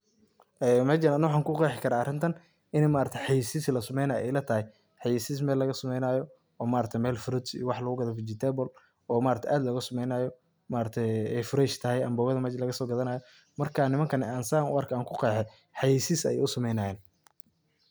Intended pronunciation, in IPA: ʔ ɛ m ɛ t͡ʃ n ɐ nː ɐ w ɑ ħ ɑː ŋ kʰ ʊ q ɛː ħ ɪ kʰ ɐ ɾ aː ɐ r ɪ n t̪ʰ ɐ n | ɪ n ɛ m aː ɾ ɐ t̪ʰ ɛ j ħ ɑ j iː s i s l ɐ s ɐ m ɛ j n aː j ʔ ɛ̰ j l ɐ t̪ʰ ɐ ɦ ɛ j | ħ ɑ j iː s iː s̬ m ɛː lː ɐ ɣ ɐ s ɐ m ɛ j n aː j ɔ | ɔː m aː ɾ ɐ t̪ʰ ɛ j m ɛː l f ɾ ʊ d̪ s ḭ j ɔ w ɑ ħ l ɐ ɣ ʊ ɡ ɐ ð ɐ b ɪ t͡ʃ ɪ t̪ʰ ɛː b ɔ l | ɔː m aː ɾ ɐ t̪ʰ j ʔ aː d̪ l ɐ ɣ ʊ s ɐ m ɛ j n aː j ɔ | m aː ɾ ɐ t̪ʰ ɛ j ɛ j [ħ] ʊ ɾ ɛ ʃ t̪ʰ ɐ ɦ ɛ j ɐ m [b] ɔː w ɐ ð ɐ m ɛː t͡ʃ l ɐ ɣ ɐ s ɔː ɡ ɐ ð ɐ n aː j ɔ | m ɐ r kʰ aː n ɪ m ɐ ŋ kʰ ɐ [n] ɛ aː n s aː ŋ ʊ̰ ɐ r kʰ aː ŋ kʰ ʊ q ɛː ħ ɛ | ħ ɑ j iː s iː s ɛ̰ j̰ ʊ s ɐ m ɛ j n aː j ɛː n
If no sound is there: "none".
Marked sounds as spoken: f, b, n

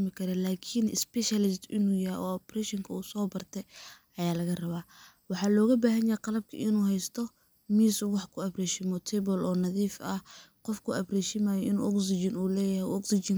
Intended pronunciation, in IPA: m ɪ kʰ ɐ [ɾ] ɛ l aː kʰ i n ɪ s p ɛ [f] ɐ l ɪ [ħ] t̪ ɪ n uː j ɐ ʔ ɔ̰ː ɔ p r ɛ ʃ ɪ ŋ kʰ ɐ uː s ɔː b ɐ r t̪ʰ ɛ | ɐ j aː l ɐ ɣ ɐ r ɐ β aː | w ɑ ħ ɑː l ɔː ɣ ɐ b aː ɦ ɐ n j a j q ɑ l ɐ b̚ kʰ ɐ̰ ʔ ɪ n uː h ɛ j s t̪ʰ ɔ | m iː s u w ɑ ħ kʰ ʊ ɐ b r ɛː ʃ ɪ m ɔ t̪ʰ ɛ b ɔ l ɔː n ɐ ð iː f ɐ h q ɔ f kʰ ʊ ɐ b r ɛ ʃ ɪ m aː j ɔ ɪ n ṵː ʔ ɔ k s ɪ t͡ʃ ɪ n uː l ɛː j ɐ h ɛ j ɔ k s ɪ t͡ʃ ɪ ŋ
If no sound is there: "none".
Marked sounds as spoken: ɾ, ʃ, s

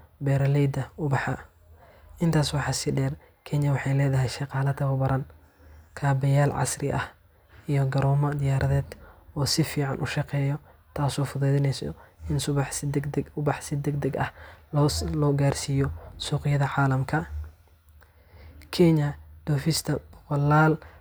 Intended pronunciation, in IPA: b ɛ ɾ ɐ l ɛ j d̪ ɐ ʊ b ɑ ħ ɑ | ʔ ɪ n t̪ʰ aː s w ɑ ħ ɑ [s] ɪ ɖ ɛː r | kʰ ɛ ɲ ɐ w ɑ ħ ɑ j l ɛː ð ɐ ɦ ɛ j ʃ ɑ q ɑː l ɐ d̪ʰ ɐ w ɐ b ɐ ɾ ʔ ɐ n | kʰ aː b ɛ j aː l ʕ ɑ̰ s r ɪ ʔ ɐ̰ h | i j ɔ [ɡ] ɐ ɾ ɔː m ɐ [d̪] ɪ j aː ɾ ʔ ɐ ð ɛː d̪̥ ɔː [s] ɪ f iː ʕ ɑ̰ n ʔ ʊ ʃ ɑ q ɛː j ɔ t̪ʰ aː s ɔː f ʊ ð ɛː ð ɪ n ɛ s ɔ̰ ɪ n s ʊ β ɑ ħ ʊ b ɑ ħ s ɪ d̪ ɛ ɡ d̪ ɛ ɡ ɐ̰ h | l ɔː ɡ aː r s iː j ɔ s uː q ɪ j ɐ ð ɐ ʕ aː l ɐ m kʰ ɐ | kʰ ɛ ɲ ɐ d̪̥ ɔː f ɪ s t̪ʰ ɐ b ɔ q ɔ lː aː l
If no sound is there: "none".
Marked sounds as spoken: s, ɡ, d̪, s

